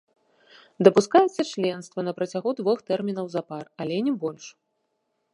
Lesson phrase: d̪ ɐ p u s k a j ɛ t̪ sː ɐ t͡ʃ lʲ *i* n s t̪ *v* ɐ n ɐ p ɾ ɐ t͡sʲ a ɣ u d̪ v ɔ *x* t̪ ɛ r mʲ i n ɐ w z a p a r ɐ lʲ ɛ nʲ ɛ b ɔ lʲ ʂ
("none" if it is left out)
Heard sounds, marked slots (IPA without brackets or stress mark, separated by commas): ɛ, v, x